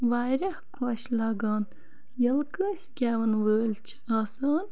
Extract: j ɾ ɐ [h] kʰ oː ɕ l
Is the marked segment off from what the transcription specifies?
no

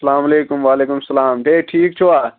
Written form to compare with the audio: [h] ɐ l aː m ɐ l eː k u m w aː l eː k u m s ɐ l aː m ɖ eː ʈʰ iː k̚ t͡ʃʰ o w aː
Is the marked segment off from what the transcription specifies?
yes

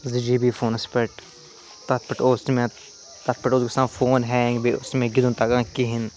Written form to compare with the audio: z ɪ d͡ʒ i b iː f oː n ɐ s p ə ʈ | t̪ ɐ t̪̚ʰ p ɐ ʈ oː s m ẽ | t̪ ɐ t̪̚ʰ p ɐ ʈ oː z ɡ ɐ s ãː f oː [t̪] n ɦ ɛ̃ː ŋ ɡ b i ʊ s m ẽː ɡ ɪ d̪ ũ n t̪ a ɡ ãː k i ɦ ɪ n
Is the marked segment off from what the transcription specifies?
yes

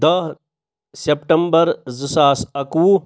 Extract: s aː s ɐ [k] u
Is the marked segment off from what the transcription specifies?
no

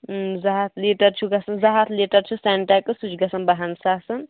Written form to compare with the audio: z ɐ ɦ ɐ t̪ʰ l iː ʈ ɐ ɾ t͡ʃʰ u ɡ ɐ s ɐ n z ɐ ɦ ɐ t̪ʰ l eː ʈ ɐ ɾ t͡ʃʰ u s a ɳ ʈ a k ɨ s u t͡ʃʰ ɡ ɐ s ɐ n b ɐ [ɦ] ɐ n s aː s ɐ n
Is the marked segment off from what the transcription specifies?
no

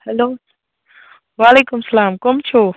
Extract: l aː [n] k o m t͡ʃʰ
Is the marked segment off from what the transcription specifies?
yes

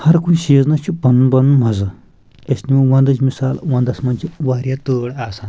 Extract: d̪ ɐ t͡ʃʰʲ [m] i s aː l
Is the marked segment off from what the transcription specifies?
no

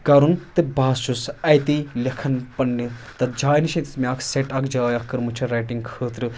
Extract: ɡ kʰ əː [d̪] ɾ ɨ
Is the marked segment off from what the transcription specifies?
yes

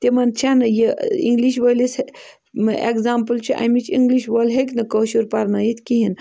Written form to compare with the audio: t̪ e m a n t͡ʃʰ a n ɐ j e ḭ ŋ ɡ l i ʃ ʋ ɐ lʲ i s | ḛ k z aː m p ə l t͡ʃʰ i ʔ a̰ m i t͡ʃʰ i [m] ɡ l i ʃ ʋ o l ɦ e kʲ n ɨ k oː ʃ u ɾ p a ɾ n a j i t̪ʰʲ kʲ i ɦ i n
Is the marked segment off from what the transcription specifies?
yes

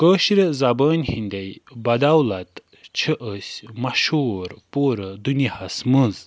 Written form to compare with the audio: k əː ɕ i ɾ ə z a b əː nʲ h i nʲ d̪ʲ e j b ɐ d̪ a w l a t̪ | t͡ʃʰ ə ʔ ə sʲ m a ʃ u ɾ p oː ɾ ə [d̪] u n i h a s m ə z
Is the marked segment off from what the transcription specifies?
no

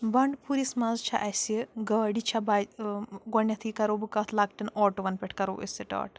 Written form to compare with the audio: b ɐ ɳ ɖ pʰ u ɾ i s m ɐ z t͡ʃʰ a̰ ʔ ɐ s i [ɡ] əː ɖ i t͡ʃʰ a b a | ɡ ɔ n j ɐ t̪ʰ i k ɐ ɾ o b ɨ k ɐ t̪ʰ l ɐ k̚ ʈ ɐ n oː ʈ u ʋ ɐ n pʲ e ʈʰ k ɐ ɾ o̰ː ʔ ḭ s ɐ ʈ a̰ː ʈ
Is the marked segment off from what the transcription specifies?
no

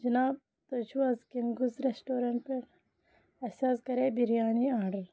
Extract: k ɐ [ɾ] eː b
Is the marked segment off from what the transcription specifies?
no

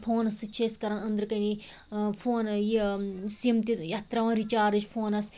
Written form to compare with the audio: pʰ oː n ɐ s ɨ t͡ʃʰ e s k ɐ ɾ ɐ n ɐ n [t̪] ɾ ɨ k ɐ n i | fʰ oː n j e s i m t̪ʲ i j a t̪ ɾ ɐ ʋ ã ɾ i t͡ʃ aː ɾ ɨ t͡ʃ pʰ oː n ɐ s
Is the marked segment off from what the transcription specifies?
yes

